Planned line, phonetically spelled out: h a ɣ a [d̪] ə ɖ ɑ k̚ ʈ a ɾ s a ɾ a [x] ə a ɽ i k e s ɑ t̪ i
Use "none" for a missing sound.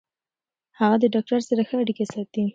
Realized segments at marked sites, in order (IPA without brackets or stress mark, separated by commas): d̪, x